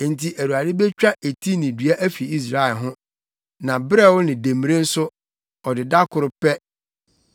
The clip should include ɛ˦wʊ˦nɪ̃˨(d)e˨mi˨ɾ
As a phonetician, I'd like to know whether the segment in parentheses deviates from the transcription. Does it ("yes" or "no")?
no